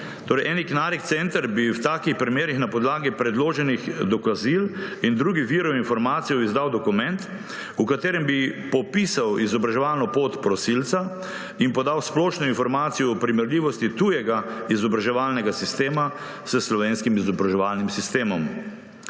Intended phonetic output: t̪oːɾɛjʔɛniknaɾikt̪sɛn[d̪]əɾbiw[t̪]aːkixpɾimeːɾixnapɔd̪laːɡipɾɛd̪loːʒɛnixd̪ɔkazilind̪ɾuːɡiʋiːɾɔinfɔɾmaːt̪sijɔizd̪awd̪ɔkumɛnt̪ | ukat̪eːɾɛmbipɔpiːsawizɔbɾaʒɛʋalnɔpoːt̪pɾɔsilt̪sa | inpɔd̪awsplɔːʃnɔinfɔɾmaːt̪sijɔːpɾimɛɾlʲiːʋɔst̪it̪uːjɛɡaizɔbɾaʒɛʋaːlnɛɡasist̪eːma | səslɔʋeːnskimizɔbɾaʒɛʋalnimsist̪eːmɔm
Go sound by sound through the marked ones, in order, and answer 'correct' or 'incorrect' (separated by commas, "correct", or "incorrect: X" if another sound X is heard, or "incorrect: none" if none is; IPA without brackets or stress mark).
incorrect: t̪, correct